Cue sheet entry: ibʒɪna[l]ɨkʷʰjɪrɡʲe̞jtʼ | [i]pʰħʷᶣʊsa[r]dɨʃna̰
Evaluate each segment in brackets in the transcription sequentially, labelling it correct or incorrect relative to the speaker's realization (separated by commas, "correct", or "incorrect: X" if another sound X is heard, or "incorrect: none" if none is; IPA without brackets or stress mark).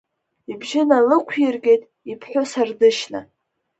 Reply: correct, correct, correct